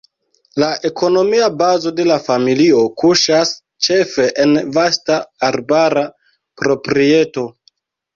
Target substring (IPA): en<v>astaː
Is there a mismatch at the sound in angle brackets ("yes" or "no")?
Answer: no